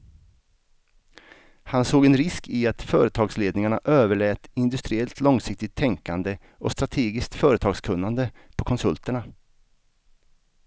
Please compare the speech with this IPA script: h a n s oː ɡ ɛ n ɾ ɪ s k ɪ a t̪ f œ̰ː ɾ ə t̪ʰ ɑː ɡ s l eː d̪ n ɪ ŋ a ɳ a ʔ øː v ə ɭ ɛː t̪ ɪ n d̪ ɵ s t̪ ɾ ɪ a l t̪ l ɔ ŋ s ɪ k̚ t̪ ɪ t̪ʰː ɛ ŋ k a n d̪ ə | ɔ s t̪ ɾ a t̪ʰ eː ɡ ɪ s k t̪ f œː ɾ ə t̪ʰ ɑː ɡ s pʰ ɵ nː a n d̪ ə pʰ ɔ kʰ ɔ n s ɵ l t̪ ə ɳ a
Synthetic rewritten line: h a n s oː ɡ ɛ n ɾ ɪ s k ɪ a t̪ f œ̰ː ɾ ə t̪ʰ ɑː ɡ s l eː d̪ n ɪ ŋ a ɳ a ʔ øː v ə ɭ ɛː t̪ ɪ n d̪ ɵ s t̪ ɾ ɪ ɛ l t̪ l ɔ ŋ s ɪ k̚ t̪ ɪ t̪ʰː ɛ ŋ k a n d̪ ə | ɔ s t̪ ɾ a t̪ʰ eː ɡ ɪ s k t̪ f œː ɾ ə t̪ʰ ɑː ɡ s kʰ ɵ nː a n d̪ ə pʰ ɔ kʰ ɔ n s ɵ l t̪ ə ɳ a